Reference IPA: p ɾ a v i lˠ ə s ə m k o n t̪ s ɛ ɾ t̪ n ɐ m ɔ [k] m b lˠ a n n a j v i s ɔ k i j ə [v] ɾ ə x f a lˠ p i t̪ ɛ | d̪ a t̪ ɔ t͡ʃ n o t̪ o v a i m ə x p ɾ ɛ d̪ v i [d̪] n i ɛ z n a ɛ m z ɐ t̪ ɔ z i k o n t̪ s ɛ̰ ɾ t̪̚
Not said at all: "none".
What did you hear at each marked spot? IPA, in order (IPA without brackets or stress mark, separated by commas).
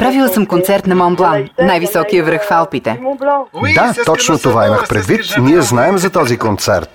none, v, t̪